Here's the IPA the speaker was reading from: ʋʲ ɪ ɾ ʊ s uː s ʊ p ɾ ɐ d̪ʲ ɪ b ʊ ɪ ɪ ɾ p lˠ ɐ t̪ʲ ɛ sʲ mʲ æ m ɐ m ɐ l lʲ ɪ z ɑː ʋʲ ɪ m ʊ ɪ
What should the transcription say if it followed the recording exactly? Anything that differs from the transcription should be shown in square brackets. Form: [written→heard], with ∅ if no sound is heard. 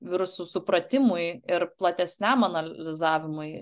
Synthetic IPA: ʋʲ ɪ ɾ ʊ s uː s ʊ p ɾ ɐ [d̪ʲ→t̪ʲ] ɪ [b→m] ʊ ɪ ɪ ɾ p lˠ ɐ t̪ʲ ɛ sʲ [mʲ→nʲ] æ m ɐ [m→n] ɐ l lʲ ɪ z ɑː ʋʲ ɪ m ʊ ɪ

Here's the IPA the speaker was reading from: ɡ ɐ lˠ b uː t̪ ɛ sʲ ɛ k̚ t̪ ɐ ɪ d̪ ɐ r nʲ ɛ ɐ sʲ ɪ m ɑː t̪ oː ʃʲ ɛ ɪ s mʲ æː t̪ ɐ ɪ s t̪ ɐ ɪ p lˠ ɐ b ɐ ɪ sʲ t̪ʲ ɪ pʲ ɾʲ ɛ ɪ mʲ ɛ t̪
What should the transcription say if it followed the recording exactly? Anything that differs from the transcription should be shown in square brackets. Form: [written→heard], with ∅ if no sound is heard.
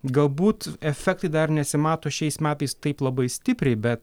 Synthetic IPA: ɡ ɐ lˠ b uː t̪ ɛ [sʲ→fʲ] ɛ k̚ t̪ ɐ ɪ d̪ ɐ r nʲ ɛ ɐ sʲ ɪ m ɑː t̪ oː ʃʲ ɛ ɪ s mʲ æː t̪ ɐ ɪ s t̪ ɐ ɪ p lˠ ɐ b ɐ ɪ sʲ t̪ʲ ɪ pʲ ɾʲ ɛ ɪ [mʲ→bʲ] ɛ t̪

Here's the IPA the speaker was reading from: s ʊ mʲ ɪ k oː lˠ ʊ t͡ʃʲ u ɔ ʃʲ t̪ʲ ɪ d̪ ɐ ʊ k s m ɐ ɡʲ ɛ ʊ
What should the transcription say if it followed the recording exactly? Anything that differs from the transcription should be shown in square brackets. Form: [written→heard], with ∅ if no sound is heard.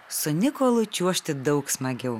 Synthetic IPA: s ʊ [mʲ→nʲ] ɪ k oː lˠ ʊ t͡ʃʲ u ɔ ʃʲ t̪ʲ ɪ d̪ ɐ ʊ k s m ɐ ɡʲ ɛ ʊ

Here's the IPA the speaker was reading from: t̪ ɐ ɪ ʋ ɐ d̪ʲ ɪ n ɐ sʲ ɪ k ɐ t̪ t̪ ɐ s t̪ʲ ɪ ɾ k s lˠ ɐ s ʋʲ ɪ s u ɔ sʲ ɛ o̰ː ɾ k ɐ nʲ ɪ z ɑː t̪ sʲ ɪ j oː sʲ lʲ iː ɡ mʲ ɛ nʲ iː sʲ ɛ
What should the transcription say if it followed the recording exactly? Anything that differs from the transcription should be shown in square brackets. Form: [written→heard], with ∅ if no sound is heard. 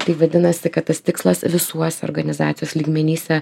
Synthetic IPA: t̪ ɐ ɪ ʋ ɐ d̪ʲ ɪ n ɐ sʲ ɪ k ɐ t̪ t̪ ɐ s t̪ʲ ɪ [ɾ→∅] k s lˠ ɐ s ʋʲ ɪ s u ɔ sʲ ɛ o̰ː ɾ [k→ɡ] ɐ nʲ ɪ z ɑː t̪ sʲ ɪ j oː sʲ lʲ iː ɡ mʲ ɛ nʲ iː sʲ ɛ

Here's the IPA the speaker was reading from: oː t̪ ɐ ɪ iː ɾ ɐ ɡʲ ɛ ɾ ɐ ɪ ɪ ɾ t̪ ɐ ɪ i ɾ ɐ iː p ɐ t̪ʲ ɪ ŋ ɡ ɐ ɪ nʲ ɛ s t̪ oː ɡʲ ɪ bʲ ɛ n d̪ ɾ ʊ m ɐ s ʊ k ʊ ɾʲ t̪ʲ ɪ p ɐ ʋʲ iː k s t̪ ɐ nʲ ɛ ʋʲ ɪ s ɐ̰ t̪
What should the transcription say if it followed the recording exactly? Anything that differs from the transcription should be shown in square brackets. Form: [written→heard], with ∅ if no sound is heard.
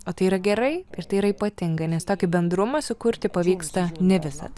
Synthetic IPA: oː t̪ ɐ ɪ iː ɾ ɐ ɡʲ ɛ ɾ ɐ ɪ ɪ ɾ t̪ ɐ ɪ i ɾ ɐ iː p ɐ t̪ʲ ɪ ŋ ɡ ɐ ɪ nʲ ɛ s t̪ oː [ɡʲ→kʲ] ɪ bʲ ɛ n d̪ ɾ ʊ m ɐ s ʊ k ʊ ɾʲ t̪ʲ ɪ p ɐ ʋʲ iː k s t̪ ɐ nʲ ɛ ʋʲ ɪ s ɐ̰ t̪

